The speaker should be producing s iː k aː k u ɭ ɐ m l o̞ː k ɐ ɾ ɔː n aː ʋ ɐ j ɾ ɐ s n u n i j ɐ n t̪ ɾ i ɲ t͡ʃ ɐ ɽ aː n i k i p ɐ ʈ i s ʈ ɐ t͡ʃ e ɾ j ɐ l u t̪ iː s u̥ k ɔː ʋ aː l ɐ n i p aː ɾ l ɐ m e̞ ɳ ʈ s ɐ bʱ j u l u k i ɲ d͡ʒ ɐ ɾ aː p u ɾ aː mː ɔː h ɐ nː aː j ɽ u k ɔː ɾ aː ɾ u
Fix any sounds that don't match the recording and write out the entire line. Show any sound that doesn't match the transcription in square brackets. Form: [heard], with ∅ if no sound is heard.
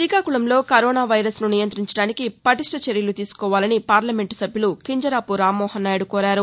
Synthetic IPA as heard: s iː k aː k u ɭ ɐ m l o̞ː k ɐ ɾ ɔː n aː ʋ ɐ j ɾ ɐ s n u n i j ɐ n t̪ ɾ i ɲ t͡ʃ ɐ ɽ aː n i k i p ɐ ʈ i [ʂ] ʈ ɐ t͡ʃ e ɾ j ɐ l u t̪ iː s u̥ k ɔː ʋ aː l ɐ n i p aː ɾ l ɐ m e̞ ɳ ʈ s ɐ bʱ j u l u k i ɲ d͡ʒ ɐ ɾ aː p u ɾ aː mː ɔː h ɐ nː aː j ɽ u k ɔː ɾ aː ɾ u